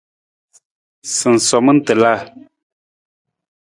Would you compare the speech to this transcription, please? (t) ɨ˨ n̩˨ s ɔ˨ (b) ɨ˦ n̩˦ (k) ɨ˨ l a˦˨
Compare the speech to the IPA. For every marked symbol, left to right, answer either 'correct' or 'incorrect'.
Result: incorrect: s, incorrect: m, incorrect: t

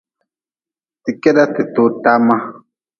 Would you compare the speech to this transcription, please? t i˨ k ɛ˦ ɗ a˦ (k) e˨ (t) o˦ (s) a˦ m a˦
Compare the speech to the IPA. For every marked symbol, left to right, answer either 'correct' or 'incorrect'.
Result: incorrect: t, correct, incorrect: t

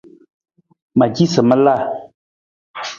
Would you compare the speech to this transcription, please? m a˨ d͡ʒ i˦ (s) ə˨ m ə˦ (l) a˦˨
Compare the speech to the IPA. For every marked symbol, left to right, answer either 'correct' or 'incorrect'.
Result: correct, correct

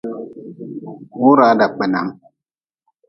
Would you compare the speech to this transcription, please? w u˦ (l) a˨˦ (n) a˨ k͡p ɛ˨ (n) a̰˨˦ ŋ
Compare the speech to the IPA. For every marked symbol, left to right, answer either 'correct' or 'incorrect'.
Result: incorrect: ɾ, incorrect: d, correct

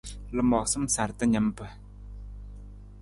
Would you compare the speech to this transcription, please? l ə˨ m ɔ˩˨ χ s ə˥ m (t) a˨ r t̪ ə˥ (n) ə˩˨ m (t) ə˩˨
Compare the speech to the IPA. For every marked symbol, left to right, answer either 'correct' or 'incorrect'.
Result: incorrect: s, incorrect: ɲ, incorrect: p

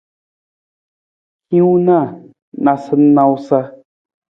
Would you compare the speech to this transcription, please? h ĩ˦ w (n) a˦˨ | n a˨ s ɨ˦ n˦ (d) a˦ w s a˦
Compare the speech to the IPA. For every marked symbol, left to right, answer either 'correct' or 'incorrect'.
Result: correct, incorrect: n

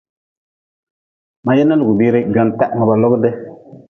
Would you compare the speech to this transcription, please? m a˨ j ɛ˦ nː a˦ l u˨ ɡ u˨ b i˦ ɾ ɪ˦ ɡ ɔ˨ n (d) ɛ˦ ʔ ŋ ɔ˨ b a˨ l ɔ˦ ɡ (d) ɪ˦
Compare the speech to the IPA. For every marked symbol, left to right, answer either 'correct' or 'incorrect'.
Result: incorrect: t, correct

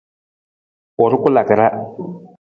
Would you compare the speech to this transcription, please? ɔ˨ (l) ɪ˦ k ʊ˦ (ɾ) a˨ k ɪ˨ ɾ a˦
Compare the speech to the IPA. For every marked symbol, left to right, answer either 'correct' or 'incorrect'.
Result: incorrect: ɾ, incorrect: l

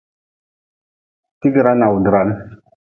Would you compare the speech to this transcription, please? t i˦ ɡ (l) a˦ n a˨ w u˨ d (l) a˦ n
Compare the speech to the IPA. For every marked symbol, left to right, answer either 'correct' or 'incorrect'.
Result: incorrect: ɾ, incorrect: ɾ

